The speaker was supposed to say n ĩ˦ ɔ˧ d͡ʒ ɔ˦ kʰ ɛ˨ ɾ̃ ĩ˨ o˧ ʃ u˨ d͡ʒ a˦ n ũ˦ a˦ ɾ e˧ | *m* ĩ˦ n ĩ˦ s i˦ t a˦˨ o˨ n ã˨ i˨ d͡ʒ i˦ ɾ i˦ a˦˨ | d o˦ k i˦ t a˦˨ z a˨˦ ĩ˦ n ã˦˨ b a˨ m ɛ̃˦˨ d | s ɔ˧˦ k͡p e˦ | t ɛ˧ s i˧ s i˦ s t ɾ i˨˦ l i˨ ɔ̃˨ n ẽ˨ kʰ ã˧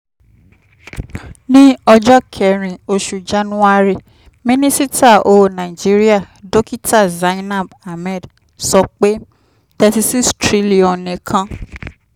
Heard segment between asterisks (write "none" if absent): m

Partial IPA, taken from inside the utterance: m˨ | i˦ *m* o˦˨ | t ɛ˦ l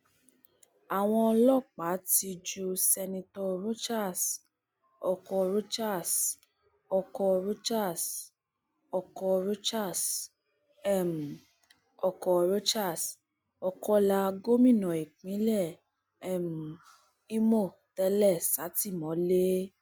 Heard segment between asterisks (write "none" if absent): m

